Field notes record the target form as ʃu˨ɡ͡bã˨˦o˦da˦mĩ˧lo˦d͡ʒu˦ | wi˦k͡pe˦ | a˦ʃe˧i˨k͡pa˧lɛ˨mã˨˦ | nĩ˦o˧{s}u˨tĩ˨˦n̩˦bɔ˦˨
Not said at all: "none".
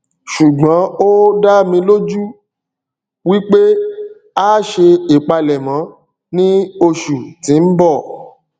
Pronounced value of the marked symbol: ʃ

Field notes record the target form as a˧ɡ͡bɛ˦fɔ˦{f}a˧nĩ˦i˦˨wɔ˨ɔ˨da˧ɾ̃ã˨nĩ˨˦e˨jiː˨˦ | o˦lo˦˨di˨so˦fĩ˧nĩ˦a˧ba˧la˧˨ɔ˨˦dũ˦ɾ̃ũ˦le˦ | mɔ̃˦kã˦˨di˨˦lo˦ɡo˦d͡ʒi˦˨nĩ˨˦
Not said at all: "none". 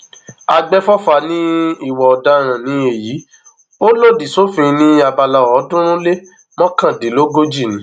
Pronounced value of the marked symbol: f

